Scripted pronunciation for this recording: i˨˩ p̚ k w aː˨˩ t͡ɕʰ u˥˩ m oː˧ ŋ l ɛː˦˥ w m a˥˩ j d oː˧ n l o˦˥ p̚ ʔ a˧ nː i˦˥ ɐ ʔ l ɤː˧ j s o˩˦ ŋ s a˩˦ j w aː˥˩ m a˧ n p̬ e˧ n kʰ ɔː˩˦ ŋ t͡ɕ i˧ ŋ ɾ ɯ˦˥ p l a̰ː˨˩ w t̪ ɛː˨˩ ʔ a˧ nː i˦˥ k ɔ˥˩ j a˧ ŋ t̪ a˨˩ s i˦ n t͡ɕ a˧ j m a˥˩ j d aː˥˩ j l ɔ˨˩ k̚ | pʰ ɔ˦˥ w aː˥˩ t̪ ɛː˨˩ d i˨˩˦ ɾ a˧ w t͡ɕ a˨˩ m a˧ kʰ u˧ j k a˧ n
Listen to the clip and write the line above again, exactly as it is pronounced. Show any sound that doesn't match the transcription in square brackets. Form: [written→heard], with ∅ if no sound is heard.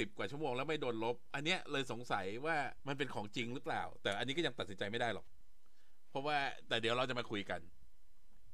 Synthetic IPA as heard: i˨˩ p̚ k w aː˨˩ t͡ɕʰ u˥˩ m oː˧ ŋ l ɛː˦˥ w m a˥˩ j d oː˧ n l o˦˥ p̚ ʔ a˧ nː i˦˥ ɐ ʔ l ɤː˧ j s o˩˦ ŋ s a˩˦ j w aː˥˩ m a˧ n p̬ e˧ n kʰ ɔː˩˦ ŋ t͡ɕ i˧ ŋ ɾ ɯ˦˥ p l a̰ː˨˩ w t̪ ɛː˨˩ ʔ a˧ nː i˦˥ k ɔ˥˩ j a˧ ŋ t̪ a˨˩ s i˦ n t͡ɕ a˧ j m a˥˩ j d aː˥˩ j l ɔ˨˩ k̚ | pʰ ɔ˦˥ w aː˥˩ t̪ ɛː˨˩ d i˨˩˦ ɾ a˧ w t͡ɕ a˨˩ m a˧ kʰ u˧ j k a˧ n